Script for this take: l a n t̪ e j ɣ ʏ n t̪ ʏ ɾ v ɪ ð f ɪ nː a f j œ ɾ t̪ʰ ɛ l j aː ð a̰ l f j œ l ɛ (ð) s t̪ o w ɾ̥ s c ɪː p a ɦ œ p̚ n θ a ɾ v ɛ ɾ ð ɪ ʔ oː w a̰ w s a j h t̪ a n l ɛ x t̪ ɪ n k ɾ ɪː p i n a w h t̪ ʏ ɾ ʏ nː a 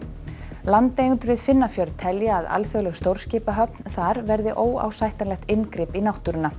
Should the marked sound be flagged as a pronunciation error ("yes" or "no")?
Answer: yes